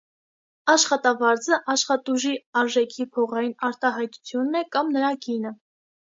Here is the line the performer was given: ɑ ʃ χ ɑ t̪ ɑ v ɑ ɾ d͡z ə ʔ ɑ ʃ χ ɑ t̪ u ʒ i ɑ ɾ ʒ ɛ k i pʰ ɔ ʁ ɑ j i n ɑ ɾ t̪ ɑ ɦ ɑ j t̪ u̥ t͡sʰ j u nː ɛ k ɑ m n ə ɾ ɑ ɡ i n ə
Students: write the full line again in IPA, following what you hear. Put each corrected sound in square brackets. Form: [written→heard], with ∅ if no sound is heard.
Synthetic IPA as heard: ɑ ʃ χ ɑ t̪ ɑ v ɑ ɾ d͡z ə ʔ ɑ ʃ χ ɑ t̪ u ʒ i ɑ ɾ ʒ ɛ [k→kʰ] i pʰ ɔ ʁ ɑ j i n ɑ ɾ t̪ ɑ ɦ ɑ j t̪ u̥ t͡sʰ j u nː ɛ k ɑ m n ə ɾ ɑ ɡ i n ə